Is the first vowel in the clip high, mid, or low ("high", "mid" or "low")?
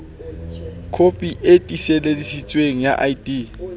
mid